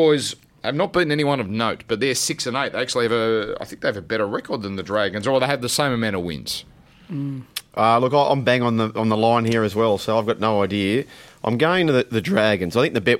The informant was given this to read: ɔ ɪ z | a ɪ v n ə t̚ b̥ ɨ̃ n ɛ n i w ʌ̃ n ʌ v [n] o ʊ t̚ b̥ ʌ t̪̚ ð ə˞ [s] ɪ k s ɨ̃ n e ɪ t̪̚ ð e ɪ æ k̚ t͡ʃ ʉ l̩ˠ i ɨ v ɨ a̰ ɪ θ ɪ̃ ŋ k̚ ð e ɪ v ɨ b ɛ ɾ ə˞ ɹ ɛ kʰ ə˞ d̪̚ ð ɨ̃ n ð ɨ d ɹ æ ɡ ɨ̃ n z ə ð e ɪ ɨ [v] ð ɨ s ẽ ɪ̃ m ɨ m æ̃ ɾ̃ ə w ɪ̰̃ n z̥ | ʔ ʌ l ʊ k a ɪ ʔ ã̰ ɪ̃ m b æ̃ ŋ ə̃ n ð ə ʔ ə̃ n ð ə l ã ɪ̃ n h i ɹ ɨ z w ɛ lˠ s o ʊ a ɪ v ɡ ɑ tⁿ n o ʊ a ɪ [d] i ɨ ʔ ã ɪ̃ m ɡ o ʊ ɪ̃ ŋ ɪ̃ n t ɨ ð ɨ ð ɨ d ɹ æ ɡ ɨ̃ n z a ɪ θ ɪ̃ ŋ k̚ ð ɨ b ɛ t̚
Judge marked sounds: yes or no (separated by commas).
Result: yes, yes, yes, yes